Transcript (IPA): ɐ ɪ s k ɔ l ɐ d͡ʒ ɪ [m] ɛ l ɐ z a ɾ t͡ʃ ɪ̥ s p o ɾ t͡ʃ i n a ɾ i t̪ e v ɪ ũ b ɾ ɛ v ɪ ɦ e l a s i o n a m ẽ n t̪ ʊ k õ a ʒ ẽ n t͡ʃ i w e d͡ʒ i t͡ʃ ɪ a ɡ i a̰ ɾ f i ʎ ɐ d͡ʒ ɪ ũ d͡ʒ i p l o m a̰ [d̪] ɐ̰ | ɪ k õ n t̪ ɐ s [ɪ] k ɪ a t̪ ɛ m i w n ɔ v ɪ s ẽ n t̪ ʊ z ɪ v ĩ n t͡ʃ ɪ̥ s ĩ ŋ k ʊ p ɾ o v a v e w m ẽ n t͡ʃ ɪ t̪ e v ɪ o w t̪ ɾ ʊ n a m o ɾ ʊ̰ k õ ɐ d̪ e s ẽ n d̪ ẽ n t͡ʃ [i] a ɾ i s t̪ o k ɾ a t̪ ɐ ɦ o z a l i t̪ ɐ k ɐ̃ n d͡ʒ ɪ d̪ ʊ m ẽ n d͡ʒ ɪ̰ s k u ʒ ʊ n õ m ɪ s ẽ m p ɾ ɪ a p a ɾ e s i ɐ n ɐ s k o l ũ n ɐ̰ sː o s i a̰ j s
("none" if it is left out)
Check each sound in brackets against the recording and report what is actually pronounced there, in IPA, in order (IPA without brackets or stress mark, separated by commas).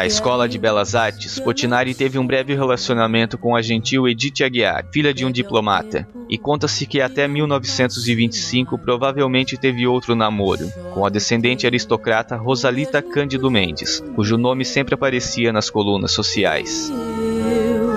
b, t̪, ɪ, ɪ